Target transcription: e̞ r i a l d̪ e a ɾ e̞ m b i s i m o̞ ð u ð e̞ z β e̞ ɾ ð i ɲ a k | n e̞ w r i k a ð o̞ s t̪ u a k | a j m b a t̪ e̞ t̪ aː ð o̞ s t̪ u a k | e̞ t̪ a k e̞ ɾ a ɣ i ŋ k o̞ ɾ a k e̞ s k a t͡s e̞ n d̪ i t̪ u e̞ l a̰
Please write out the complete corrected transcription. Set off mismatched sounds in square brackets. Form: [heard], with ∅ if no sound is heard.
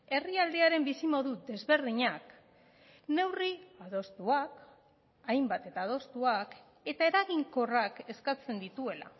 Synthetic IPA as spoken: e̞ r i a l d̪ e a ɾ e̞ m b i s i m o̞ ð u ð e̞ z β e̞ ɾ ð i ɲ a k | n e̞ w r i [∅] a ð o̞ s t̪ u a k | a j m b a t̪ e̞ t̪ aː ð o̞ s t̪ u a k | e̞ t̪ a [∅] e̞ ɾ a ɣ i ŋ k o̞ [r] a k e̞ s k a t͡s e̞ n d̪ i t̪ u e̞ l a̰